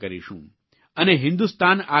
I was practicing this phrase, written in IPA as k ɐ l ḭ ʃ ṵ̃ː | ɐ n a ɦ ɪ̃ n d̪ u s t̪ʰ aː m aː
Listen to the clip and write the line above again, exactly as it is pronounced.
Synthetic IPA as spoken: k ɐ ɾ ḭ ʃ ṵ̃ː | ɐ n e ɦ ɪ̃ n d̪ u s t̪ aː n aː